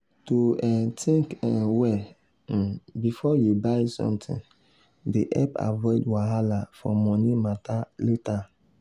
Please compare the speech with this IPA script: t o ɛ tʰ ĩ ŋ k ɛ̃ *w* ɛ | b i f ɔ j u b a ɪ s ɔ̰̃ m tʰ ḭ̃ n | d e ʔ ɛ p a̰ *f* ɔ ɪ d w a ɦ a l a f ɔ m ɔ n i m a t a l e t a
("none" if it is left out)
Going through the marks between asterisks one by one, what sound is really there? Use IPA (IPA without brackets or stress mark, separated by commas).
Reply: w, v